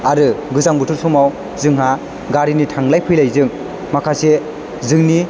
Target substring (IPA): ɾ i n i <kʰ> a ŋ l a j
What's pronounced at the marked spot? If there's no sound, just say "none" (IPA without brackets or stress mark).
tʰ